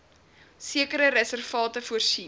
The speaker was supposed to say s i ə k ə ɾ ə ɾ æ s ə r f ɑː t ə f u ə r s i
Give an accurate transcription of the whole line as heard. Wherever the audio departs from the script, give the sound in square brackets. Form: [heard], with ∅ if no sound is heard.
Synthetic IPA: s i ə k ə ɾ ə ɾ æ s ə r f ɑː t ə f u ə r s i